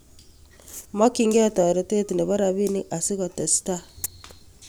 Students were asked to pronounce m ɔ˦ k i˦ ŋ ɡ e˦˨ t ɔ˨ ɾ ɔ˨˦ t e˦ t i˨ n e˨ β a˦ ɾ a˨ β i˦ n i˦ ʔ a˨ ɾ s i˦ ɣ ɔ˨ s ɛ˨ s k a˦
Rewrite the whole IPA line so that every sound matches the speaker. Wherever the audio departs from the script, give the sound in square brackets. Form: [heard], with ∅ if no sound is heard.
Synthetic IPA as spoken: m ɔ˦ k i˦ ŋ ɡ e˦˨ t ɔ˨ ɾ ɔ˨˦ t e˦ t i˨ n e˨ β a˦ ɾ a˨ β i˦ n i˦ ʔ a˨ [∅] s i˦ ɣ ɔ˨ [t] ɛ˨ s [t] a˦